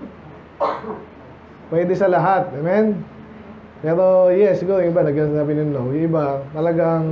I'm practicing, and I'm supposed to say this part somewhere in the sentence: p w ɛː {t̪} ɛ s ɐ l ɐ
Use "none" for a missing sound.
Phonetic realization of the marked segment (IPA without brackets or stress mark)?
d̪